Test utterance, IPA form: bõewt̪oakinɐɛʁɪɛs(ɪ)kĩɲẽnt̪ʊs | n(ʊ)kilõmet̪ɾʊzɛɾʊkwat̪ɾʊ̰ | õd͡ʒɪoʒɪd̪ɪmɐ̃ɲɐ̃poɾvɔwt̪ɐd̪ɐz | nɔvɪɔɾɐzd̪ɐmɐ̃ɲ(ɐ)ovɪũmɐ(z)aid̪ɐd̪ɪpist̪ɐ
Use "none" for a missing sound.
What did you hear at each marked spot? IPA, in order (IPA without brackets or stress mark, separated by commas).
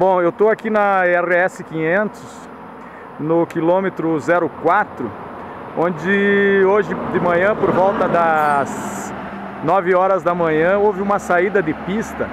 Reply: ɪ, ʊ, ɐ̃, s